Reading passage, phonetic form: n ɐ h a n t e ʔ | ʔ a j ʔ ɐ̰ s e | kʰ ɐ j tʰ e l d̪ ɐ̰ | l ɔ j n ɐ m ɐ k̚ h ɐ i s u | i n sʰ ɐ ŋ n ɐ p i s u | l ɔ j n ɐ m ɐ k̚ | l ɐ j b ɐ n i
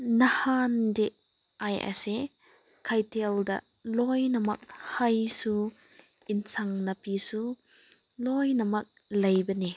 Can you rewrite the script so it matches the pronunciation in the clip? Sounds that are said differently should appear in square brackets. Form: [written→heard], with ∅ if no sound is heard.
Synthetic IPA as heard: n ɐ h a n [t→d] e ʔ | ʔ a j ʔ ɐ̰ s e | kʰ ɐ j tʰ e l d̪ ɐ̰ | l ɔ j n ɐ m ɐ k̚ h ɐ [i→j] s u | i n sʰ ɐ ŋ n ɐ p i s u | l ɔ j n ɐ m ɐ k̚ | l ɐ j b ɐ n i